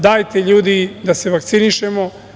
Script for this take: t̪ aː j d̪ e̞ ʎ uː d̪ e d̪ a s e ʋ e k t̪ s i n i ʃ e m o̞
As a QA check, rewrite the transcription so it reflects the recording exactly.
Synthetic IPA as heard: d̪ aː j t̪ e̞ ʎ uː d̪ i d̪ a s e ʋ a k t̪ s i n i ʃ e m o̞